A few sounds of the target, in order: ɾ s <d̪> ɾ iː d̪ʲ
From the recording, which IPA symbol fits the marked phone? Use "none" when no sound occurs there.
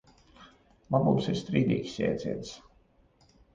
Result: t̪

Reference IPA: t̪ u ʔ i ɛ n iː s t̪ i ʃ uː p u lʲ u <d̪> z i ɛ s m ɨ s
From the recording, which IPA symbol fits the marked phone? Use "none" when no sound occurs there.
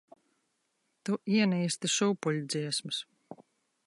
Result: d̪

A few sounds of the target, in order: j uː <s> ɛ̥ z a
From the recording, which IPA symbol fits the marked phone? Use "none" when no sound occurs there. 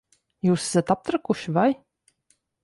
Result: s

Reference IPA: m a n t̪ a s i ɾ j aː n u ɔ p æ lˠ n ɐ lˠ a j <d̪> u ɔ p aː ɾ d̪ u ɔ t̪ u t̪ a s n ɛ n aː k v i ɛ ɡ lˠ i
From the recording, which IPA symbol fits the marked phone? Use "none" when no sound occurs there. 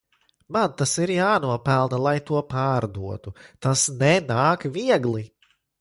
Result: t̪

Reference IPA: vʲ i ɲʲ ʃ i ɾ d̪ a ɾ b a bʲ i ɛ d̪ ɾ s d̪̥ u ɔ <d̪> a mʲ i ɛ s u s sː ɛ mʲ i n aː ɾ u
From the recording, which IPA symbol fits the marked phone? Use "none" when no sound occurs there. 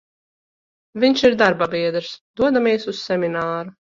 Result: d̪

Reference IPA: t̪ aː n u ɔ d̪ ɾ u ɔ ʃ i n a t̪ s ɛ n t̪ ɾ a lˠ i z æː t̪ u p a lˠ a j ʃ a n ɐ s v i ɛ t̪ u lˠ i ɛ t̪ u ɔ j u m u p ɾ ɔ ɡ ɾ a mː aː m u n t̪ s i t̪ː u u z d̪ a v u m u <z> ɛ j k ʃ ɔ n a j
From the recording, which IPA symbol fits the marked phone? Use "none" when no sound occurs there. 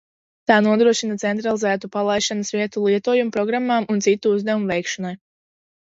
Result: v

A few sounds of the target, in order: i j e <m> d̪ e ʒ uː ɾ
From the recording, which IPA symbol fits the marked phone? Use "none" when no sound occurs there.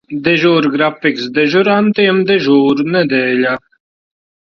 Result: m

